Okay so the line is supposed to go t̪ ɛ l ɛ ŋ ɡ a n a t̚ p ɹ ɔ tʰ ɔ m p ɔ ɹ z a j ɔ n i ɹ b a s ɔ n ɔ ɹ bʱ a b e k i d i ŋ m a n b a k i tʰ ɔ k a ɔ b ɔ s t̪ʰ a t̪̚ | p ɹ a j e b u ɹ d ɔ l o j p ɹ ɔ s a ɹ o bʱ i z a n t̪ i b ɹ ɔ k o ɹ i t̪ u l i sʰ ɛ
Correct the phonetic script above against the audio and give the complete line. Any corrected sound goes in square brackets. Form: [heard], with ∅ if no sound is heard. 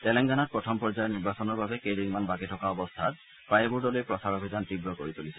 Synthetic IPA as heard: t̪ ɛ l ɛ ŋ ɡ a n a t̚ p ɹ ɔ tʰ ɔ m p ɔ ɹ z a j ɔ n i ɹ b a s ɔ n ɔ ɹ bʱ a b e k [e] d i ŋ m a n b a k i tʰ ɔ k a ɔ b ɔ s t̪ʰ a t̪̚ | p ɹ a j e b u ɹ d ɔ l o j p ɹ ɔ s a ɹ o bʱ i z a n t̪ i b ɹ ɔ k o ɹ i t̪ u l i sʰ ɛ